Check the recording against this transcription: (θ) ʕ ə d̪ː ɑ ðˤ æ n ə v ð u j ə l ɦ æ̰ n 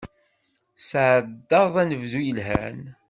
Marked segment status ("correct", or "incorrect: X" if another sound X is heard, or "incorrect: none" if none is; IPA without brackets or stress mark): incorrect: s